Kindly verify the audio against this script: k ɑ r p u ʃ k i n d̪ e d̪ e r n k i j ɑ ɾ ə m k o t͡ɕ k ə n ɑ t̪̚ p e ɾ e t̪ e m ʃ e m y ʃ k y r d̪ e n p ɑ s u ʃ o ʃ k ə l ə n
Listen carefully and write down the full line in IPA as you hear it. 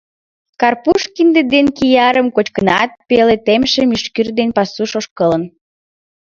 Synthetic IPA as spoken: k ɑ r p u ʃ k i n d̪ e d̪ e n k i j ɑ ɾ ə m k o t͡ɕ k ə n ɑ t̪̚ p e l e t̪ e m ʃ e m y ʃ k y r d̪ e n p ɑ s u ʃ o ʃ k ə l ə n